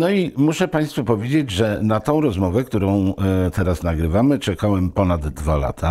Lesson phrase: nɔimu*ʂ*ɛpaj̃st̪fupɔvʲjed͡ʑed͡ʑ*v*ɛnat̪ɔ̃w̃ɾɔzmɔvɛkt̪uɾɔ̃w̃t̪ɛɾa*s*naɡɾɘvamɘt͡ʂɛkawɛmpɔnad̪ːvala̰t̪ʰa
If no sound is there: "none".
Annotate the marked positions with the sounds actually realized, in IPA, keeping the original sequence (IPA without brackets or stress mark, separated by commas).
ʂ, ʐ, s